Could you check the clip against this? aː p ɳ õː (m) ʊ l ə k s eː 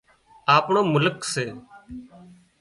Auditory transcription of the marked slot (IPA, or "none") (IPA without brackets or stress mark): m